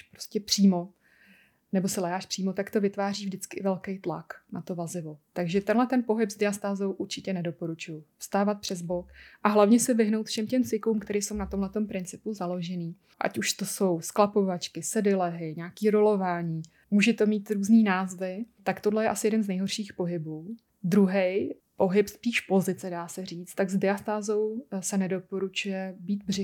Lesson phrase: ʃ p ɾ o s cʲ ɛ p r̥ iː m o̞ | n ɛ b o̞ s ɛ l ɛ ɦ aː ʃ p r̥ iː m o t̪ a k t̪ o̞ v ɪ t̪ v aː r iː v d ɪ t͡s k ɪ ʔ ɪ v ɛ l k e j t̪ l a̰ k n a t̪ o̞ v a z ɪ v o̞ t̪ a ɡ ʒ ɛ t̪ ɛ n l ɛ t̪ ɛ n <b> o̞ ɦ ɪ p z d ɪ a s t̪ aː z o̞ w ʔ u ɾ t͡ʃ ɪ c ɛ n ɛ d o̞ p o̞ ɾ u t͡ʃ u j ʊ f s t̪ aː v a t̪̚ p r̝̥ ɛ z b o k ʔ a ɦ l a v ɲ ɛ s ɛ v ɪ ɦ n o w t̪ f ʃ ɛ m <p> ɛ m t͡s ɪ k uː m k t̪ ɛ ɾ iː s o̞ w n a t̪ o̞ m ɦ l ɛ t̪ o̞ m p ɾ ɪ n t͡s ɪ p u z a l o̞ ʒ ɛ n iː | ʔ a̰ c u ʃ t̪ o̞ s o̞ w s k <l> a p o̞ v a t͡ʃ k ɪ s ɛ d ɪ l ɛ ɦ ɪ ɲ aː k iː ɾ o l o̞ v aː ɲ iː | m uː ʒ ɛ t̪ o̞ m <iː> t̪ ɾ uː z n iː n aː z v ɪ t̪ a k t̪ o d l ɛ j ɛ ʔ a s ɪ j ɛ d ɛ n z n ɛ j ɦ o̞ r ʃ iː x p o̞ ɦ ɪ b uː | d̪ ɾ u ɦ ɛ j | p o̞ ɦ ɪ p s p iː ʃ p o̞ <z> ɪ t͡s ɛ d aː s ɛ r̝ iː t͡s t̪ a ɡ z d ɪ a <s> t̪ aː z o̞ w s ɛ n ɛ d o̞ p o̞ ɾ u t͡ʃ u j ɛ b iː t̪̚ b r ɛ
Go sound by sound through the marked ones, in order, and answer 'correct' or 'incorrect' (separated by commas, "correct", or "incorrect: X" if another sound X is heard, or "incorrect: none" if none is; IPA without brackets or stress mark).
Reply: incorrect: p, incorrect: c, correct, correct, correct, correct